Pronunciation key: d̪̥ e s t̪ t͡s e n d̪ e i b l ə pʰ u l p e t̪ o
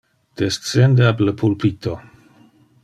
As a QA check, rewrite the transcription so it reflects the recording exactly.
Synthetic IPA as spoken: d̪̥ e s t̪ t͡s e n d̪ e a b l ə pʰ u l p i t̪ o